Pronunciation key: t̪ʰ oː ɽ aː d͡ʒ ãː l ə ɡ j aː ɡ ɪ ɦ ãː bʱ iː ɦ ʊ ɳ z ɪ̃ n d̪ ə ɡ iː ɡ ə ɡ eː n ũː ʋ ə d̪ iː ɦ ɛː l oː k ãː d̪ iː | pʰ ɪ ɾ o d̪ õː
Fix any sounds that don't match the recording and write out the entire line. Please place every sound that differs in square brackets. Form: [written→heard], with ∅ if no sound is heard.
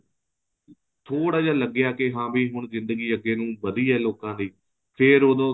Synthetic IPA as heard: t̪ʰ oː ɽ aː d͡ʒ [ãː→aː] l ə ɡ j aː [ɡ→k] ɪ ɦ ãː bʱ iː ɦ ʊ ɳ z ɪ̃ n d̪ ə ɡ iː [ɡ→∅] ə ɡ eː n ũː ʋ ə d̪ iː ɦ ɛː l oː k ãː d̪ iː | pʰ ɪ ɾ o d̪ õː